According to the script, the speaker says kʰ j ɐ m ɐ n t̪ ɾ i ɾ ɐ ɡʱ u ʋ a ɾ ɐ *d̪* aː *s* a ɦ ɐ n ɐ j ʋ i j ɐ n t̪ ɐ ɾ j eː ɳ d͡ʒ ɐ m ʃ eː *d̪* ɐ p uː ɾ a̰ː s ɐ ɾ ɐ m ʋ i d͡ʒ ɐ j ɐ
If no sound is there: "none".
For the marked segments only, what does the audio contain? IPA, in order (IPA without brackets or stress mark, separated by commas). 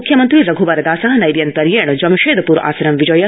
d̪, s, d̪